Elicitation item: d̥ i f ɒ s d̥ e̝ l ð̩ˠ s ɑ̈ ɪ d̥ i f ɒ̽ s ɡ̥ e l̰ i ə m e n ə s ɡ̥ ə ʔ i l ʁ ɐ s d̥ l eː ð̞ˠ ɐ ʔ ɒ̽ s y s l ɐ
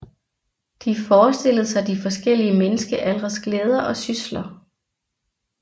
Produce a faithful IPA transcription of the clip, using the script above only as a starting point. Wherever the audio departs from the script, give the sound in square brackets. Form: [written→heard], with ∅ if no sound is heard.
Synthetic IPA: d̥ i f [ɒ→ɒː] s d̥ e̝ l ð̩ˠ s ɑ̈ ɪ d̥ i f ɒ̽ s ɡ̥ e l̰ i ə m e n ə s ɡ̥ ə ʔ [i→æ] l ʁ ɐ s [d̥→ɡ̥] l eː ð̞ˠ ɐ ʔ ɒ̽ s y s l ɐ